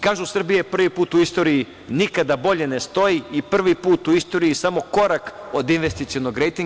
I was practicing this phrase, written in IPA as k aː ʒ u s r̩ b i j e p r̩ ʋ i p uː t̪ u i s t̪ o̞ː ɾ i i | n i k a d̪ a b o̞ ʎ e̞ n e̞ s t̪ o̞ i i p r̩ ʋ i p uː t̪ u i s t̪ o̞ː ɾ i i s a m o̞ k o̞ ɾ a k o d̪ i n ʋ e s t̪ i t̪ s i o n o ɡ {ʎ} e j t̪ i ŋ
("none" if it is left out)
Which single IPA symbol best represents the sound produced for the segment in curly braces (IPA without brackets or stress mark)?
ɾ